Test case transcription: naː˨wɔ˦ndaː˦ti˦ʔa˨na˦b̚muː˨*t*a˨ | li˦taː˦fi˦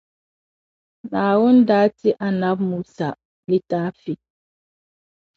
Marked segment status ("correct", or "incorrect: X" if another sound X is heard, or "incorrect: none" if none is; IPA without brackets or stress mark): incorrect: s